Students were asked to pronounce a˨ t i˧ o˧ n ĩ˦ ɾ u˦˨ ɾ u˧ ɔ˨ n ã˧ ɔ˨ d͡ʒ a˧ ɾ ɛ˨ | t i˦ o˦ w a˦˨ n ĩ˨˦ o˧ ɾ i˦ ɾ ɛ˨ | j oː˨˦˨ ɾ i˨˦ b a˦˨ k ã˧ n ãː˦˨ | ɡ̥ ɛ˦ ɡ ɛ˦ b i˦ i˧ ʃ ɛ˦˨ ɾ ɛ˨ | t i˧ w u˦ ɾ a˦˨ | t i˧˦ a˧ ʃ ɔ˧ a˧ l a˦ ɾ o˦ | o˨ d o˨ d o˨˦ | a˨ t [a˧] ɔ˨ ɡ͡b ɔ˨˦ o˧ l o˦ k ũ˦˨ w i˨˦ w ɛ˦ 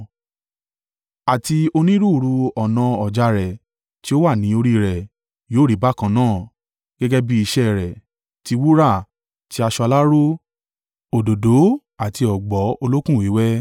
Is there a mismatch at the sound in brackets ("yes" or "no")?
yes